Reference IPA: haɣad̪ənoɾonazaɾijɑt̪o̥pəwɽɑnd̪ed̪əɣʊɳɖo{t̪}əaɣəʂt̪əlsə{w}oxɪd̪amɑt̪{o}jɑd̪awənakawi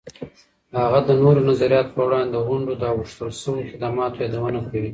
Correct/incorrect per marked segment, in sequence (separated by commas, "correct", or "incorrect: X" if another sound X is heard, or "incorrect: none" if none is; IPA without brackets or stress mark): incorrect: d̪, correct, correct